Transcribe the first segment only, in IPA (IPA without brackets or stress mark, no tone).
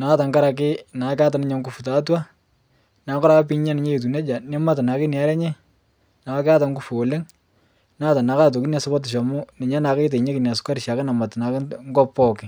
n